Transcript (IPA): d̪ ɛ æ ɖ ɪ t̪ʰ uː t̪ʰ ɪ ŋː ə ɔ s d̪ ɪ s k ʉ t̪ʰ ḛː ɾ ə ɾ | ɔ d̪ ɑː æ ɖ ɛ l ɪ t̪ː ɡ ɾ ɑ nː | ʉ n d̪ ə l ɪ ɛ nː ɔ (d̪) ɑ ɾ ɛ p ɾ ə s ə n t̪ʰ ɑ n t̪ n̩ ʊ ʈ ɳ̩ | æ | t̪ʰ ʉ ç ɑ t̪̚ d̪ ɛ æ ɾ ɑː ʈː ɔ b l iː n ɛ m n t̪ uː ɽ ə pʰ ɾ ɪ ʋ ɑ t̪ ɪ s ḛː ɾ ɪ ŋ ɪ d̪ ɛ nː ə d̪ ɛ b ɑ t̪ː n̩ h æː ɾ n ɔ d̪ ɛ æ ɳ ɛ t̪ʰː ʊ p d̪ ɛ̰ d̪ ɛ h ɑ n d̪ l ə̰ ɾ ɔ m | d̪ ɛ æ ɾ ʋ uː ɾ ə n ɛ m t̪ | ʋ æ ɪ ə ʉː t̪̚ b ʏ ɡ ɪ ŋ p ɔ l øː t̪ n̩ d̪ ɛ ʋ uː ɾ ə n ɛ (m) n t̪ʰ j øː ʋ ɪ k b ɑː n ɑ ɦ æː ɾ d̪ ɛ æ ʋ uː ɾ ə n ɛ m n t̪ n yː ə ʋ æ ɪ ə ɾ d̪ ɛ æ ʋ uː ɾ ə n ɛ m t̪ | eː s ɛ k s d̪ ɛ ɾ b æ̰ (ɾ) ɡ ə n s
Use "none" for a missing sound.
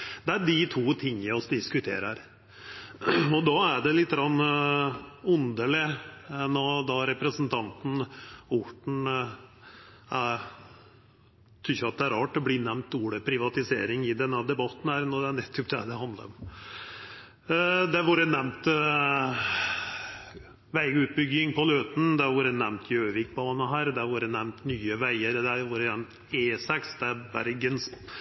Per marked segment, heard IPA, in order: d̪, m, ɾ

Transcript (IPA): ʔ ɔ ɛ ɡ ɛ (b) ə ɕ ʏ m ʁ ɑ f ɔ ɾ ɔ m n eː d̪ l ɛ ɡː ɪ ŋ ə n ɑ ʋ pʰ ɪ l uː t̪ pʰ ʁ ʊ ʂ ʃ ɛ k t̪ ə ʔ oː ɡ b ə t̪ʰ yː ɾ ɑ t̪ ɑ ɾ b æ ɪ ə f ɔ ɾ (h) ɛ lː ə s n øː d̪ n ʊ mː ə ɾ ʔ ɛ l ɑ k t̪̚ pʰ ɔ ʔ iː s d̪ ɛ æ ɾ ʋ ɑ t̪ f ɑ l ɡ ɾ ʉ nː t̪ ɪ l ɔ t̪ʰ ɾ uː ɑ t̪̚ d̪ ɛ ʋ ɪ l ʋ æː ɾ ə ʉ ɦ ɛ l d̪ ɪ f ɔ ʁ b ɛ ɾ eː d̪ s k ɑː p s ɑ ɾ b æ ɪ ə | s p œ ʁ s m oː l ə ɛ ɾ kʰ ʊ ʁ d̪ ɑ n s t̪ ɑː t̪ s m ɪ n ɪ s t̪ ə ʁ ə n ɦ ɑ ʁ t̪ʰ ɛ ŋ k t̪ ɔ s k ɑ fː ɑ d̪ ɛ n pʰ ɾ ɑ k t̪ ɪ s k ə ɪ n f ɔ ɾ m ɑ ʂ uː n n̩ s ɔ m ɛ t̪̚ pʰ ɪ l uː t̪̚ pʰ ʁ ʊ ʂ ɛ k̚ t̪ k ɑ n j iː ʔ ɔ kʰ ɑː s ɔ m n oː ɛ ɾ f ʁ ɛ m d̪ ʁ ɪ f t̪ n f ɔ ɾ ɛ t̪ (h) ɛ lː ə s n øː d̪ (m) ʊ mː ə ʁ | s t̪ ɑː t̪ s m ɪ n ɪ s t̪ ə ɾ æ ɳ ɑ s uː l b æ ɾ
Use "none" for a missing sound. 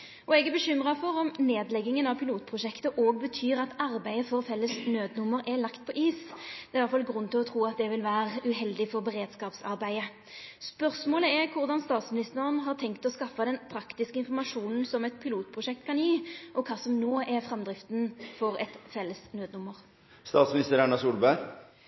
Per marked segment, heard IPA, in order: b, f, f, n

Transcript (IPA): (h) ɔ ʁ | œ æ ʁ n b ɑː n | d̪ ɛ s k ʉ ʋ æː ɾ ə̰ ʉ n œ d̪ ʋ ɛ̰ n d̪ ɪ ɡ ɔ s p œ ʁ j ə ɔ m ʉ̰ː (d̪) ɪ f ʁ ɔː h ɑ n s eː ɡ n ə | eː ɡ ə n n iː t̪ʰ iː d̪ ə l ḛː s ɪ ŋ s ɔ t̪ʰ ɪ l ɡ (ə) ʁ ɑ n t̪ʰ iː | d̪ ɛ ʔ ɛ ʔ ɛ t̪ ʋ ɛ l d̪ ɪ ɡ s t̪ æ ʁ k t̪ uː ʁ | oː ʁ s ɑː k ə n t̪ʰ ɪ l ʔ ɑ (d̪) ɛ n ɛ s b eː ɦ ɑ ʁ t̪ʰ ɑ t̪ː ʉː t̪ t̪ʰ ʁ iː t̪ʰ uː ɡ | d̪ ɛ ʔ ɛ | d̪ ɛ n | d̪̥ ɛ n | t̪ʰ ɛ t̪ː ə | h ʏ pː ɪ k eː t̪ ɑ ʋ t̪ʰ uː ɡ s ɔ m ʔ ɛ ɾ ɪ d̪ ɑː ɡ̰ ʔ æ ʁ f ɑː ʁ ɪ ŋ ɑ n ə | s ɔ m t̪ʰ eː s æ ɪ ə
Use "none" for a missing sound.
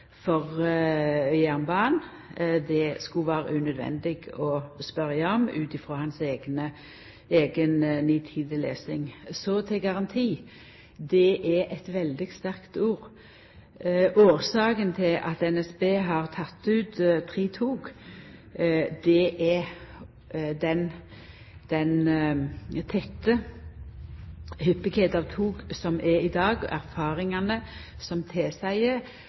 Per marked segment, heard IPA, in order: f, t̪, ɑ, t̪

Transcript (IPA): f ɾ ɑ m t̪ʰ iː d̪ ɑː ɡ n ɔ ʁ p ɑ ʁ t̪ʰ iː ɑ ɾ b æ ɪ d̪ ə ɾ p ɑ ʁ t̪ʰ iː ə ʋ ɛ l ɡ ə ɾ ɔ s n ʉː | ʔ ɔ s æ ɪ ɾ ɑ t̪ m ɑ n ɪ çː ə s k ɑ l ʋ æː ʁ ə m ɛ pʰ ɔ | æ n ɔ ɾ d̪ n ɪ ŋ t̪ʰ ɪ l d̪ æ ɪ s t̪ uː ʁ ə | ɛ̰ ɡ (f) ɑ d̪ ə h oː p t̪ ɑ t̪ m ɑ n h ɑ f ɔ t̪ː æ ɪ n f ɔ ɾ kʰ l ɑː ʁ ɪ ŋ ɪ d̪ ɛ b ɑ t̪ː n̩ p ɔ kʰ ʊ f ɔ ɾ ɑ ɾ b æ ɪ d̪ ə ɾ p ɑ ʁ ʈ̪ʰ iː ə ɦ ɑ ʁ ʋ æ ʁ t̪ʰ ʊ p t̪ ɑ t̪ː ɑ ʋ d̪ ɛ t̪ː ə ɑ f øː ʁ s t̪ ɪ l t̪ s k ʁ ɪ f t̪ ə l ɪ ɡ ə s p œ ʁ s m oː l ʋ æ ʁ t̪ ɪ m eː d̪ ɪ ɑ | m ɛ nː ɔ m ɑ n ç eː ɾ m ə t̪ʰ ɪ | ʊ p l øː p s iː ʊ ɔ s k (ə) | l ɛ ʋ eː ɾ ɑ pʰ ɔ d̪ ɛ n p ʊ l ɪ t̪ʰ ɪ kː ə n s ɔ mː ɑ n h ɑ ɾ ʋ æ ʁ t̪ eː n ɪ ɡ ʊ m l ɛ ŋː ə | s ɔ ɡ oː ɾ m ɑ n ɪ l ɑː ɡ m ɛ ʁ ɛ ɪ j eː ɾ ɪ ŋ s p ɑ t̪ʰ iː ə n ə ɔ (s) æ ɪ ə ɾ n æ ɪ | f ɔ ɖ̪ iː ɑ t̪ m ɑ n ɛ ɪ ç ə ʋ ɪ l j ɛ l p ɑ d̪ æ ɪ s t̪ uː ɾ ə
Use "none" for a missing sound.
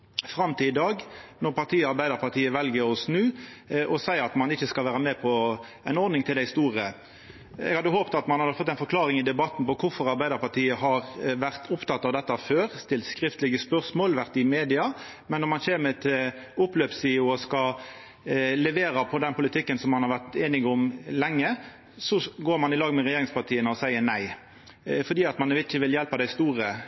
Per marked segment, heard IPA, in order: h, ɑ, s

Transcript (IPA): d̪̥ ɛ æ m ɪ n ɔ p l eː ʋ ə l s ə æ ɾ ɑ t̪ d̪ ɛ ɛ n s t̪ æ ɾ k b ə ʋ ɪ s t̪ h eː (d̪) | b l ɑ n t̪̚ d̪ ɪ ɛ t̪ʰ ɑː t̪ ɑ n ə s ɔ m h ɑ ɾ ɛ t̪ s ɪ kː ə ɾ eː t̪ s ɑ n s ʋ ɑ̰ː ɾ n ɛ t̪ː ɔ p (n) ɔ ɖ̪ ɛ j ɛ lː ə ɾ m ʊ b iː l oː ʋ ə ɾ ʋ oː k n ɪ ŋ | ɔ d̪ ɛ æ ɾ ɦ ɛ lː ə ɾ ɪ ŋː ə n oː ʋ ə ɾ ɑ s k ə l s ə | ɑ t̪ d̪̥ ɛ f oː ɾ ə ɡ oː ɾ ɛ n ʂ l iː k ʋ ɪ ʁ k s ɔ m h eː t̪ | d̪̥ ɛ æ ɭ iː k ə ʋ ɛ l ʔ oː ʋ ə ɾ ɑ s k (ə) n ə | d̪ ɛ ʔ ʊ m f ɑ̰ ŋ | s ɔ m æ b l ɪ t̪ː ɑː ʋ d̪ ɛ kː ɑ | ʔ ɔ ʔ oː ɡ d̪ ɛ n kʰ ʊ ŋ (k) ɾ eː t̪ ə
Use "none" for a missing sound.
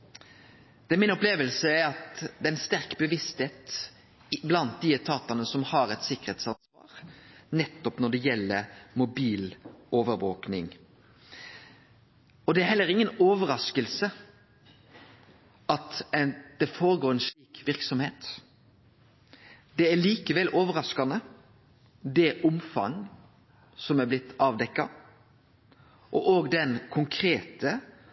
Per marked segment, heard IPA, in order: t̪, n, ɑ, kʰ

